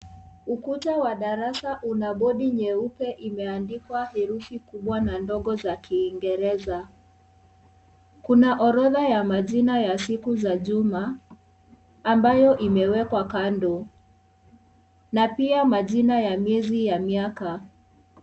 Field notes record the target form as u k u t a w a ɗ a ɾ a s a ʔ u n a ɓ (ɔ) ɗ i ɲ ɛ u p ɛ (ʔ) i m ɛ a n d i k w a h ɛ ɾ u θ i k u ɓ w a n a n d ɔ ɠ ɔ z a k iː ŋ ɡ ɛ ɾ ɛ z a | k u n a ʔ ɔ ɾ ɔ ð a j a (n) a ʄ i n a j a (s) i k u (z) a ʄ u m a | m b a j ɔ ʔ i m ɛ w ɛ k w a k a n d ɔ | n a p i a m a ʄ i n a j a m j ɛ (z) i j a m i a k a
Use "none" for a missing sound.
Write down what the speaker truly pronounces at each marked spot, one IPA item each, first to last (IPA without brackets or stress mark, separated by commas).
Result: ɔ, ʔ, m, s, z, z